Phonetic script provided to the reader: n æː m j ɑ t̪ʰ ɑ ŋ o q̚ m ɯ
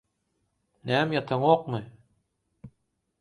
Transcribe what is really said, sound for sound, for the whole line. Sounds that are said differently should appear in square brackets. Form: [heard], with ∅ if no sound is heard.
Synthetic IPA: n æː m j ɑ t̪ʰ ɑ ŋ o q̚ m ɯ

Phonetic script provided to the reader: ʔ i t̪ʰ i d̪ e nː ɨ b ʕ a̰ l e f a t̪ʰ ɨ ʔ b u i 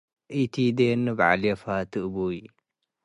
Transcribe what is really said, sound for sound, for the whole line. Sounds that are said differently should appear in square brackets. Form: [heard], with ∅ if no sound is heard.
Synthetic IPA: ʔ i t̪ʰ i d̪ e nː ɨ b ʕ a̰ l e f a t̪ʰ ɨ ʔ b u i

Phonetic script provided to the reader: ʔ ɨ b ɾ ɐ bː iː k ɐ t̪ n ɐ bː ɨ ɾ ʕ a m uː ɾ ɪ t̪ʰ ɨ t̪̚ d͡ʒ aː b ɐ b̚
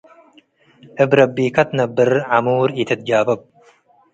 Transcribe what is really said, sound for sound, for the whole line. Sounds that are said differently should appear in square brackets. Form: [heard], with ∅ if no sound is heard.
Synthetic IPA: ʔ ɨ b ɾ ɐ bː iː k ɐ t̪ n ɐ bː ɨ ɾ ʕ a m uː ɾ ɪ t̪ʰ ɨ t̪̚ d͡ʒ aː b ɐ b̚

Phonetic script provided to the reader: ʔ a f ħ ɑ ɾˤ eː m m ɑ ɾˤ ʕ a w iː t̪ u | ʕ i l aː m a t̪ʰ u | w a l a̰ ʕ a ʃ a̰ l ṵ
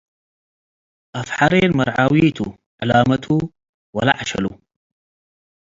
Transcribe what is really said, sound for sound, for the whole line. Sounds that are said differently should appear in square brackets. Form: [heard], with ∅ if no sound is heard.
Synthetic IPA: ʔ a f ħ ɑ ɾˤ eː [n] m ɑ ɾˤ ʕ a w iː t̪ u | ʕ [a] l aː m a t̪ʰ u | w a l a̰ ʕ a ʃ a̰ l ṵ

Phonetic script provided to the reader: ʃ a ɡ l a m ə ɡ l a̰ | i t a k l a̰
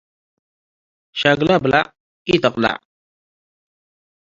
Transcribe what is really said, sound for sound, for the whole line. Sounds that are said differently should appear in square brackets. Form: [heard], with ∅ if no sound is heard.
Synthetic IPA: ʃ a ɡ l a [b] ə [∅] l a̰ | i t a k l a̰

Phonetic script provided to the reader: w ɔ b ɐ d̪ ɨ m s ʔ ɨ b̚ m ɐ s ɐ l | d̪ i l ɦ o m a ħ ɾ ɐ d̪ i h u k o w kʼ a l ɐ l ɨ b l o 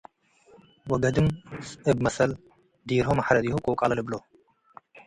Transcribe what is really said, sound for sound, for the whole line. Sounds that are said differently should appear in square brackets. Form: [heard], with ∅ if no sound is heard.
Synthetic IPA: w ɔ [ɡ] ɐ d̪ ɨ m s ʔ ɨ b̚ m ɐ s ɐ l | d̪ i [ɾ] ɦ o m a ħ ɾ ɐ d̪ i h u [kʼ] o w kʼ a l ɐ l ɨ b l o

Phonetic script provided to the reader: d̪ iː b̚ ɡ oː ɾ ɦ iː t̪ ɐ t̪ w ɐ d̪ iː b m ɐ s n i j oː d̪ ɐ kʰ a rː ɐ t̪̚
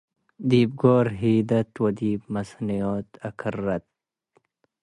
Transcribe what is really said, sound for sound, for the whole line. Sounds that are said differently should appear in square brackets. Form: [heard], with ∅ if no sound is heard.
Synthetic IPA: d̪ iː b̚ ɡ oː ɾ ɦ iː [d̪] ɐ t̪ w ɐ d̪ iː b m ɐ s n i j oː [t̪] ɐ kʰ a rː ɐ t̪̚

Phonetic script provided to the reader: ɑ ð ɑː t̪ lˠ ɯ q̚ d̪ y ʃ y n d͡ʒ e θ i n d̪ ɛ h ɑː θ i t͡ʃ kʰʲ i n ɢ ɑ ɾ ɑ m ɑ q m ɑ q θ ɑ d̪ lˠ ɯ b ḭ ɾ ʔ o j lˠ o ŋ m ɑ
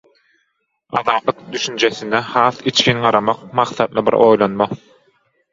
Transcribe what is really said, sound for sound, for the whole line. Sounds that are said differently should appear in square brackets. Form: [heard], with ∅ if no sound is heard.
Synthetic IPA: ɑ ð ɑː t̪ lˠ ɯ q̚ d̪ y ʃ y n d͡ʒ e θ i n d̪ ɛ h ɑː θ i t͡ʃ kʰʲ i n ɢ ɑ ɾ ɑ m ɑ q m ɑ q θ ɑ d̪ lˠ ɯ b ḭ ɾ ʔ o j lˠ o [n] m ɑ

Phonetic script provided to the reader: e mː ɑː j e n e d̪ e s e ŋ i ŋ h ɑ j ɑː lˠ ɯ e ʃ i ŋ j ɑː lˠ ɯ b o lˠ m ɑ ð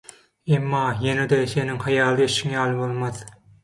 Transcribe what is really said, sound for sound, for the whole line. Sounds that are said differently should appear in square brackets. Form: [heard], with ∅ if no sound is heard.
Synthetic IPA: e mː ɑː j e n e d̪ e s e [n] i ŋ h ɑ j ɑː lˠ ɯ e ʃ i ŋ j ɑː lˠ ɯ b o lˠ m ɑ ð

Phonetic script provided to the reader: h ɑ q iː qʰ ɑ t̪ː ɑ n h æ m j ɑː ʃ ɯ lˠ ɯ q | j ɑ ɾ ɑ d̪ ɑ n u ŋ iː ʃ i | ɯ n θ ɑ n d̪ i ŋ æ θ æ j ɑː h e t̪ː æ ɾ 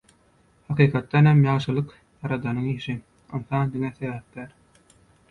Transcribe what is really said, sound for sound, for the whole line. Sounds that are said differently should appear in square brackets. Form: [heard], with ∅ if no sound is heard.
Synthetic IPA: h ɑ q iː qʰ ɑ t̪ː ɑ n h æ m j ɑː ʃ ɯ lˠ ɯ q | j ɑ ɾ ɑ d̪ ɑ n [ɯ] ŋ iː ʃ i | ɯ n θ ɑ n d̪ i ŋ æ θ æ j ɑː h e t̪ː æ ɾ

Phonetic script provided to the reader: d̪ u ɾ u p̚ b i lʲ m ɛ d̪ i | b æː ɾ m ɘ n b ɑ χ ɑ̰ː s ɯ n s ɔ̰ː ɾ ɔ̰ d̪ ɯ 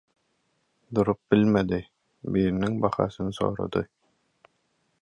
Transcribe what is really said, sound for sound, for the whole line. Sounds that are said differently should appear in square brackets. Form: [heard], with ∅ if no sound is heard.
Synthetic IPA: d̪ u ɾ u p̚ b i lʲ m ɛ d̪ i | b [iː] ɾ [n] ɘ [ŋ] b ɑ χ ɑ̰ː s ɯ n s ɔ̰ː ɾ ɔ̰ d̪ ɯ

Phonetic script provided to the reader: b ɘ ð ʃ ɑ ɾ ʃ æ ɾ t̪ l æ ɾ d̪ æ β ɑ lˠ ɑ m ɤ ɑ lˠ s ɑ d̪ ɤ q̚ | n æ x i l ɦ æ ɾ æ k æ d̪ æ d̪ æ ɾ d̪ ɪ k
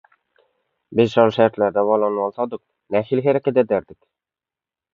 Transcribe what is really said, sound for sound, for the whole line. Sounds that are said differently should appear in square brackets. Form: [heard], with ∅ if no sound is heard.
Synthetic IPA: b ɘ [z] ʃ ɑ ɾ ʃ æ ɾ t̪ l æ ɾ d̪ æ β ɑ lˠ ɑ [n] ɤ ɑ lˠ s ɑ d̪ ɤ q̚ | n æ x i l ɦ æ ɾ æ k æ d̪ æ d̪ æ ɾ d̪ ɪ k

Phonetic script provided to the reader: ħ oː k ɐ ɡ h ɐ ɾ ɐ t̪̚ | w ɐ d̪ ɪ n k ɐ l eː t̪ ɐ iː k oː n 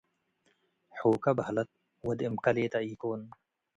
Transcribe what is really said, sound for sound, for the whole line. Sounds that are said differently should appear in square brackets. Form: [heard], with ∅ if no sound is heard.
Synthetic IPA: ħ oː k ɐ [b] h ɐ [l] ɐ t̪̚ | w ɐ d̪ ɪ [m] k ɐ l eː t̪ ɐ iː k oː n

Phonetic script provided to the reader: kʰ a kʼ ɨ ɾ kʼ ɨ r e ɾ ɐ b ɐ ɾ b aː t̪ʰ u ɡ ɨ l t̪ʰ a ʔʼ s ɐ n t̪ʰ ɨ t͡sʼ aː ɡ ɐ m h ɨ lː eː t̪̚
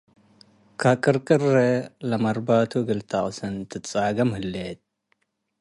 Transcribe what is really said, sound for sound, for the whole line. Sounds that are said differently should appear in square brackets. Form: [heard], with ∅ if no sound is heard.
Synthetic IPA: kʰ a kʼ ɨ ɾ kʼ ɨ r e [l] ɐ [m] ɐ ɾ b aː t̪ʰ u ɡ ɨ l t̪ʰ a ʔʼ s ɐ n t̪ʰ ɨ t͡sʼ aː ɡ ɐ m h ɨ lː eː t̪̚

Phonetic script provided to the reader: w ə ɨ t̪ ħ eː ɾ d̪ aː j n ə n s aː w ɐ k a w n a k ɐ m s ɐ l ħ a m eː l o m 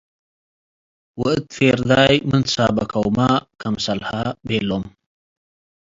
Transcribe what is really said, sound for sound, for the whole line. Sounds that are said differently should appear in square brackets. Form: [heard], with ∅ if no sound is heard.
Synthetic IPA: w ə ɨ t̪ [f] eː ɾ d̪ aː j [m] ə n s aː [b] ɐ k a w [m] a k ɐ m s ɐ l [h] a [b] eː l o m

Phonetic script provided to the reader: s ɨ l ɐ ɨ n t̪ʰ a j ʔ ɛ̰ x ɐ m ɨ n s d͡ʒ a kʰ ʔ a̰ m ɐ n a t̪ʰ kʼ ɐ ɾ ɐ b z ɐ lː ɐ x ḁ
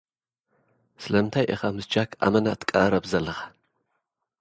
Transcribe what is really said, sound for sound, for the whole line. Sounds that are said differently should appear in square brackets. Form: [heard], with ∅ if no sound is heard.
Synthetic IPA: s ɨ l ɐ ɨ n t̪ʰ a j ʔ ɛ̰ x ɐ m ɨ [∅] s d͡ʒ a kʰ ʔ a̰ m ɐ n a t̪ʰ kʼ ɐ ɾ ɐ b z ɐ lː ɐ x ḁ

